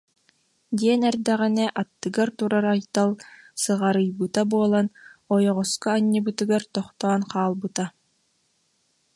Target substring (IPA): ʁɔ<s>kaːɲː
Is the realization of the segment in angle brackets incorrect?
no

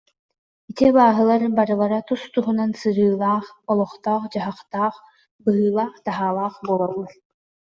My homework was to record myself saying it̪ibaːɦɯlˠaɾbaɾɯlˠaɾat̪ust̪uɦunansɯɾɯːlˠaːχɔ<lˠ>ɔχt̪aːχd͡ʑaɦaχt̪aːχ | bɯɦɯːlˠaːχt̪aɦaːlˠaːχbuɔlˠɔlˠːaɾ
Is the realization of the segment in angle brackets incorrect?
no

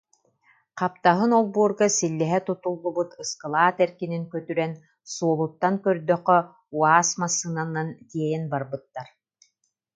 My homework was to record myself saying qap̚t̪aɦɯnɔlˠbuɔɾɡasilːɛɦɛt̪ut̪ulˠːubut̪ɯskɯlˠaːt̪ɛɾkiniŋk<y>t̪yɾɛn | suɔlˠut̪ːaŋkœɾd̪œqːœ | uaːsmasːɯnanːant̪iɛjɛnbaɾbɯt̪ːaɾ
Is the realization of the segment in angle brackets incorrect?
yes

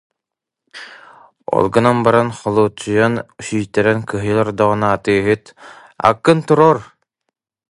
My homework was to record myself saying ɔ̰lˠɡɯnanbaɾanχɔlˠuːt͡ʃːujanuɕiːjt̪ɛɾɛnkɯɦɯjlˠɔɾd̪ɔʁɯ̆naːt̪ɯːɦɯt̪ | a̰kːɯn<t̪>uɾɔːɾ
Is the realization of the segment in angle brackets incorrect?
no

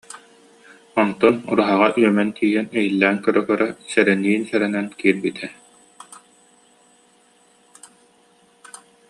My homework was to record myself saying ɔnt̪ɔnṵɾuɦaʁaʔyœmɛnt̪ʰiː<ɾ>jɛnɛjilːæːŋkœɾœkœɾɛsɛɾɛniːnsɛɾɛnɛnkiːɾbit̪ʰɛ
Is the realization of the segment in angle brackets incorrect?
yes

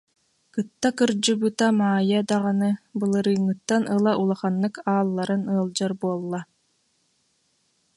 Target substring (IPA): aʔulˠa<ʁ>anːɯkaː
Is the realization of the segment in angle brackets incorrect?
yes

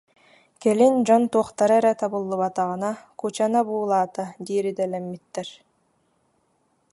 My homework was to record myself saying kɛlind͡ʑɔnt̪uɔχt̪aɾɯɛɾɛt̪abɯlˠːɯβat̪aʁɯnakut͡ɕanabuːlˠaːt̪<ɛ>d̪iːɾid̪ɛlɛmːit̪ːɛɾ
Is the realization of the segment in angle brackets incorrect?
yes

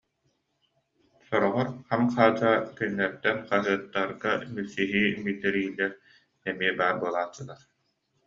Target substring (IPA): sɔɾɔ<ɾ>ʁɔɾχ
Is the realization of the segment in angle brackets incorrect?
yes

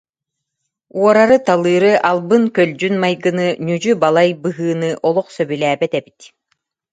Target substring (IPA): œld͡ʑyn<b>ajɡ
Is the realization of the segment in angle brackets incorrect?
yes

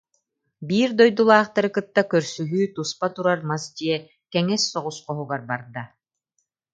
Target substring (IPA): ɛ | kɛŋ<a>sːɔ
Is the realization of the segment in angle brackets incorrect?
yes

